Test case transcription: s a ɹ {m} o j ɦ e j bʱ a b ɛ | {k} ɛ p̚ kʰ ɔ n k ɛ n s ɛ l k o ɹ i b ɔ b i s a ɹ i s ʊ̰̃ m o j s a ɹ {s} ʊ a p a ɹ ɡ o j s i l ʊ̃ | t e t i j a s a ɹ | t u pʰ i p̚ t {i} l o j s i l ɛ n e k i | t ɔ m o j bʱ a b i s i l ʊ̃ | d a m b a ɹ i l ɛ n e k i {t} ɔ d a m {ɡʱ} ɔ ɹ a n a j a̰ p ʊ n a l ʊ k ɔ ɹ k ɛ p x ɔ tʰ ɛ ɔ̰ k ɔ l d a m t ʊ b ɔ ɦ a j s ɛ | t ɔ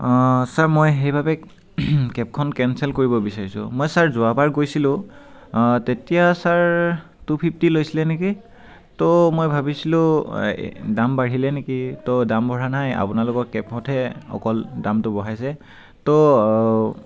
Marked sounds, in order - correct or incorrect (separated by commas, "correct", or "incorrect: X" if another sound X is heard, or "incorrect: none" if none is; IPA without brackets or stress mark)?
correct, correct, incorrect: z, correct, correct, incorrect: bʱ